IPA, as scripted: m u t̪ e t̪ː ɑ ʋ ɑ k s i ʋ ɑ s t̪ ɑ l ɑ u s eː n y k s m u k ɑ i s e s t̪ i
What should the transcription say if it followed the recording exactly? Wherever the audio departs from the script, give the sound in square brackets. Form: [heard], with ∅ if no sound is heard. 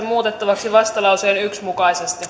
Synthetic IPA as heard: m [uː] t̪ e t̪ː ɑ ʋ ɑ k s i ʋ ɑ s t̪ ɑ l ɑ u s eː n y k s m u k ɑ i s e s t̪ i